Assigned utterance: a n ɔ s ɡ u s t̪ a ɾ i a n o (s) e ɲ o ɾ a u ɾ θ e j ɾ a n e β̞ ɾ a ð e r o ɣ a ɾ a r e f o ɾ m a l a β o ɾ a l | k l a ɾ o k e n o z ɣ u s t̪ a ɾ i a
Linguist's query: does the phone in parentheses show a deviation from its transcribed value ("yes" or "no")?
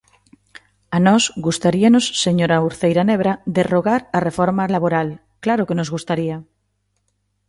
yes